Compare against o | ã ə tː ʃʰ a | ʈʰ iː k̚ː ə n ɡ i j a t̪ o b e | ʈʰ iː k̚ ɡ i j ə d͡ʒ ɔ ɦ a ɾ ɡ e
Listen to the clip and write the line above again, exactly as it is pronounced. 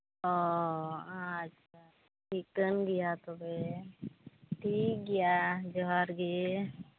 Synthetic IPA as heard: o | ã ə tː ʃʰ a | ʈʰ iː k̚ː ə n ɡ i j a t̪ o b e | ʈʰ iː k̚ ɡ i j a d͡ʒ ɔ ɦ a ɾ ɡ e

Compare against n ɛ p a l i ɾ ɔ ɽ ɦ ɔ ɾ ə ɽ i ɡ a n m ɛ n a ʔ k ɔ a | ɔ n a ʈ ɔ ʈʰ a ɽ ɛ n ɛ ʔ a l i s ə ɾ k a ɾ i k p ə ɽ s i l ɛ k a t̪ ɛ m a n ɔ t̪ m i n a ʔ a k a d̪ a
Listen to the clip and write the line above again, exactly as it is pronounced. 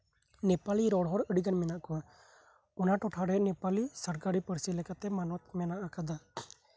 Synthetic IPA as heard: n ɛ p a l i ɾ ɔ ɽ ɦ ɔ ɾ ə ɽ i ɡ a n m ɛ n a ʔ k ɔ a | ɔ n a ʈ ɔ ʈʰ a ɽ ɛ n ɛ p a l i s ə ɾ k a ɾ i p ə ɾ s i l ɛ k a t̪ ɛ m a n ɔ t̪ m ɛ n a ʔ a k a d̪ a

